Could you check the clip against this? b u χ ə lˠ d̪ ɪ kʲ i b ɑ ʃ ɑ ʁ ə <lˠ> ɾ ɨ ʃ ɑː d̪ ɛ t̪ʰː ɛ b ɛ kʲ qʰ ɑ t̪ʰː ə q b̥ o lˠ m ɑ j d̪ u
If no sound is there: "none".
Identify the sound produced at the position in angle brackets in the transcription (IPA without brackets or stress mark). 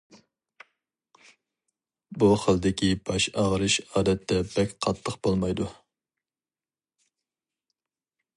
none